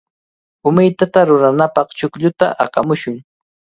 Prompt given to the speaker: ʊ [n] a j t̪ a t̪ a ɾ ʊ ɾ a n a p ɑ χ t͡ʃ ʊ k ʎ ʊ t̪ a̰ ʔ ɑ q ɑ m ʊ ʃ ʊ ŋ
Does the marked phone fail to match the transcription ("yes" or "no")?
yes